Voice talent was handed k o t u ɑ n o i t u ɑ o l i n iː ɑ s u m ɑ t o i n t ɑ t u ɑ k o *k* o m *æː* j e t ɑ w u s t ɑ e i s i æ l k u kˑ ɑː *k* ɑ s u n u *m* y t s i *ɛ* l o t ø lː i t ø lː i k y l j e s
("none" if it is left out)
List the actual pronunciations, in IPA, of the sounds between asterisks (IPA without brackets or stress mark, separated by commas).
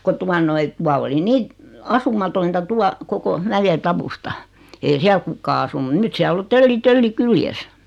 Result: k, æ, none, n, æ